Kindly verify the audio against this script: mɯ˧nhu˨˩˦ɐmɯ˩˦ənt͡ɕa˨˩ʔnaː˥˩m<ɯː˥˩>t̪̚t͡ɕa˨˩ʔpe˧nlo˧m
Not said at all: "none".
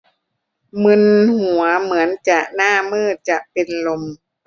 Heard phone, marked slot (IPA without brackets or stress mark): ɯː˥˩